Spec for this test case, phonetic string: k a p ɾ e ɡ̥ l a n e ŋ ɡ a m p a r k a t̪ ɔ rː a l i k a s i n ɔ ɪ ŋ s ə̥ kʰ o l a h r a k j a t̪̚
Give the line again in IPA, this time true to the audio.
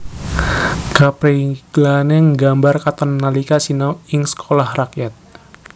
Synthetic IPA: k a p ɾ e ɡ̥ l a n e ŋ ɡ a m b a r k a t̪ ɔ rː a l i k a s i n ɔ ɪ ŋ s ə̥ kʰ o l a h r a k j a t̪̚

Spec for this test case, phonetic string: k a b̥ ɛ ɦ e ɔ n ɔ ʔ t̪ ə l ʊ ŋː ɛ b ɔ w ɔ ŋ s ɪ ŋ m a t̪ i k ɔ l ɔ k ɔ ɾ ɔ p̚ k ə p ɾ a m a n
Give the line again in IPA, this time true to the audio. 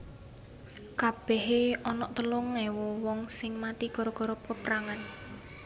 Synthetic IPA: k a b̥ ɛ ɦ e ɔ n ɔ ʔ t̪ ə l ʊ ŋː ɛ w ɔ w ɔ ŋ s ɪ ŋ m a t̪ i k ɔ ɾ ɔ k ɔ ɾ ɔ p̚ k ə p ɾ a ŋ a n

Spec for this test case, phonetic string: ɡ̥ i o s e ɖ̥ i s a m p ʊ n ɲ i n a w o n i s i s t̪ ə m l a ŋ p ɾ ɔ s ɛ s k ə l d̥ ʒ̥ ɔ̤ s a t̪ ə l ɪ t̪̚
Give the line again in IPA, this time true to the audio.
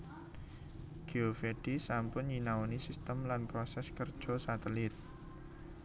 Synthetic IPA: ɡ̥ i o f e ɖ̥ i s a m p ʊ n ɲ i n a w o n i s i s t̪ ə m l a n p ɾ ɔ s ɛ s k ə r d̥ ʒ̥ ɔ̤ s a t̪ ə l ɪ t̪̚

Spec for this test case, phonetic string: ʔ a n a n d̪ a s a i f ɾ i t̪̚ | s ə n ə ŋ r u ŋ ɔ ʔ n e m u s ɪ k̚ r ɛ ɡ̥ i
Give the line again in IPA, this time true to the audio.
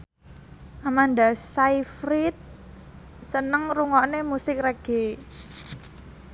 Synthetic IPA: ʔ a m a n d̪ a s a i f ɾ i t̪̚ | s ə n ə ŋ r u ŋ ɔ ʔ n e m u s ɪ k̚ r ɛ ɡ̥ e

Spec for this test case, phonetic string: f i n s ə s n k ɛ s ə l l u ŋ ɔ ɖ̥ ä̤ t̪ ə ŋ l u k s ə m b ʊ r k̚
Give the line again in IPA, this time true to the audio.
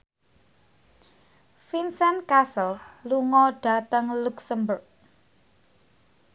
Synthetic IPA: f i n s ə n k a s ə l l u ŋ ɔ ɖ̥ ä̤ t̪ ə ŋ l u k s ə m b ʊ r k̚

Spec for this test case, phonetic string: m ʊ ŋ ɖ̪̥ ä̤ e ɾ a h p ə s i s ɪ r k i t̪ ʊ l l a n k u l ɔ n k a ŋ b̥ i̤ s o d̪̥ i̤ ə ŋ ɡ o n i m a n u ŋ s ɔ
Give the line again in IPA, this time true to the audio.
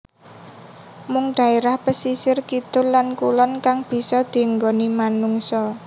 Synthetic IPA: m ʊ ŋ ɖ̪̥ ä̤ e ɾ a h p ə s i s ɪ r k i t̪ ʊ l l a n k u l ɔ n k a ŋ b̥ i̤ s ɔ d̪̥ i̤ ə ŋ ɡ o n i m a n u ŋ s ɔ

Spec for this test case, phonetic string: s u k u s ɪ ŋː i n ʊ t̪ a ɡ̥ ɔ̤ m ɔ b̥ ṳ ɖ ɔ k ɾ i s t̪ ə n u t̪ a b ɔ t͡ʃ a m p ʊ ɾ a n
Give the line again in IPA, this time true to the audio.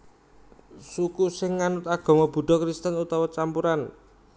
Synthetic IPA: s u k u s ɪ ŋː a n ʊ t̪ a ɡ̥ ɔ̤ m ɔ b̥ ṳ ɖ ɔ k ɾ i s t̪ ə n u t̪ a w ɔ t͡ʃ a m p u ɾ a n

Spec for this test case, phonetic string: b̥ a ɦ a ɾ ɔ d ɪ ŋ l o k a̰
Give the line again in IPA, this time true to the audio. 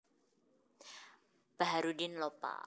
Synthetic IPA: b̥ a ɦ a ɾ u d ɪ n l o p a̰

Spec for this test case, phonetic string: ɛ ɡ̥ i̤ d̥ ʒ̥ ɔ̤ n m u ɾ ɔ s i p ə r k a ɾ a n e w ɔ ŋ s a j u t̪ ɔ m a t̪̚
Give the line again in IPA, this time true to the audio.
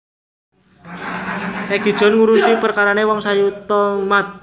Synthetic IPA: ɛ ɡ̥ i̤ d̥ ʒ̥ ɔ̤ n ŋ u ɾ u s i p ə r k a ɾ a n e w ɔ ŋ s a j u t̪ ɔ m a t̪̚

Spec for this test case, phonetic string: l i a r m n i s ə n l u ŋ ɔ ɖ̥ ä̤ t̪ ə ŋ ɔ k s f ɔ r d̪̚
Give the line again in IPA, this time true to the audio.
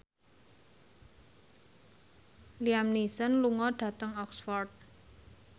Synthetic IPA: l i a m n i s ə n l u ŋ ɔ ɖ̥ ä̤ t̪ ə ŋ ɔ k s f ɔ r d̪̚

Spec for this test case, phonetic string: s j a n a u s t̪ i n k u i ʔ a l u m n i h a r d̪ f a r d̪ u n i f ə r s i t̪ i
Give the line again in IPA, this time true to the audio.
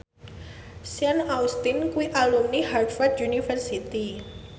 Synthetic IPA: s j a n a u s t̪ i n k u i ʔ a l u m n i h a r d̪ f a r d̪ u n i f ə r s i t̪ i

